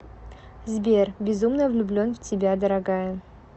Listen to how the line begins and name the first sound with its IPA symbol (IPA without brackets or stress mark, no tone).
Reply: z